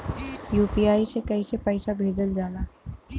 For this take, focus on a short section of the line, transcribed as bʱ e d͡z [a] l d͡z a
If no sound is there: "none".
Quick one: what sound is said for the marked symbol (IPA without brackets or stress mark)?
ə